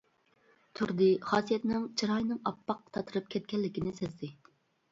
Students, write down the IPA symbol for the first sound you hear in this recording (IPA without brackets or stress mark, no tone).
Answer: t̪ʰ